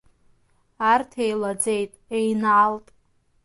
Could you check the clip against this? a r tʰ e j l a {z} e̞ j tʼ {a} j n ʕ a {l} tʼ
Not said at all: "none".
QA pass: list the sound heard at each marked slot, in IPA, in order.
d͡z, e, l

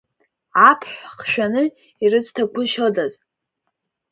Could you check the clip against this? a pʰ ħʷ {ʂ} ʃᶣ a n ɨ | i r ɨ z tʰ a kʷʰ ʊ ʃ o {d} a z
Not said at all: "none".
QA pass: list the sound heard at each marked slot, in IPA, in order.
χ, d

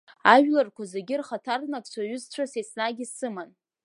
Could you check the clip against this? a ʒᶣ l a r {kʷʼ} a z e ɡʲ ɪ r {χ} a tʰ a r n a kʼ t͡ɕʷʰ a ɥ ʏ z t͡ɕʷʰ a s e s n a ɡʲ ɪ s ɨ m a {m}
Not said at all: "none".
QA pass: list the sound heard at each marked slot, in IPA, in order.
kʷ, χ, n

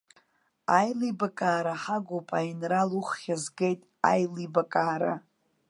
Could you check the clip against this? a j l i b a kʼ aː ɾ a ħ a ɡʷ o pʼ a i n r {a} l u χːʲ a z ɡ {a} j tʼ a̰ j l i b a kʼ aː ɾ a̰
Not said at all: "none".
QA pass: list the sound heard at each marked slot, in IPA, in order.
a, e

